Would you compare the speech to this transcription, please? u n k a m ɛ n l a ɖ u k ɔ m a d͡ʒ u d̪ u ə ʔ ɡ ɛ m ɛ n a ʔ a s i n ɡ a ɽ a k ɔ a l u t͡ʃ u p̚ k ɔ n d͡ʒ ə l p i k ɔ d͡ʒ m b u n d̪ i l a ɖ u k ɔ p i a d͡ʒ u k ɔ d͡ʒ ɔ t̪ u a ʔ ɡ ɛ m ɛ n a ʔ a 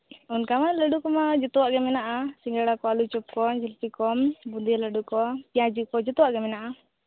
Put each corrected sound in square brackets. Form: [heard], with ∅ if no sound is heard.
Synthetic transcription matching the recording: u n k a m [a] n l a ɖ u k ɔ m a d͡ʒ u [t̪] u [a] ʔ ɡ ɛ m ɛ n a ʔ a s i [ŋ] ɡ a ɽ a k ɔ a l u t͡ʃ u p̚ k ɔ n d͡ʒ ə l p i k ɔ [∅] m b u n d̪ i l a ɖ u k ɔ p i a d͡ʒ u k ɔ d͡ʒ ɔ t̪ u a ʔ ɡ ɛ m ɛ n a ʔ a